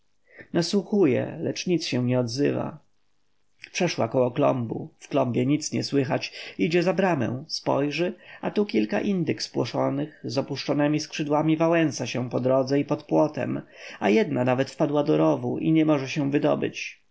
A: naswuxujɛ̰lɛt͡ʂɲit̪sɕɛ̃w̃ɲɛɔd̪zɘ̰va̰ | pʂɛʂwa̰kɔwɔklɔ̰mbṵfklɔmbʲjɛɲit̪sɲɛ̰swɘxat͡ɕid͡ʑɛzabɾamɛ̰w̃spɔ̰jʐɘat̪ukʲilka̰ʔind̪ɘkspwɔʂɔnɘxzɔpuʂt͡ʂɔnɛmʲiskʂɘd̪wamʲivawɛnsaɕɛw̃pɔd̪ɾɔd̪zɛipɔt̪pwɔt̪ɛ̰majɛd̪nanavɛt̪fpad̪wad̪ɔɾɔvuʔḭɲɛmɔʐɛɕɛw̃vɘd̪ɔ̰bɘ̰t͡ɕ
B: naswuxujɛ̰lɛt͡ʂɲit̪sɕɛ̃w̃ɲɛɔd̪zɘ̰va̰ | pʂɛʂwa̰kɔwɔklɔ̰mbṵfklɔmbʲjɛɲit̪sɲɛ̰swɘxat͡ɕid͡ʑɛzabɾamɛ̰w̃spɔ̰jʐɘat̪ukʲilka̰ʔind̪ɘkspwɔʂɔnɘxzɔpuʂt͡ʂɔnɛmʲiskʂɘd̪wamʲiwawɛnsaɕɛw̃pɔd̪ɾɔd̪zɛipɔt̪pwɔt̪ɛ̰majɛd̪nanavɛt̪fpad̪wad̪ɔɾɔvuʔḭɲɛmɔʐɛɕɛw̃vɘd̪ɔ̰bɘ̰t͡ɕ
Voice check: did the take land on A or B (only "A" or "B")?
A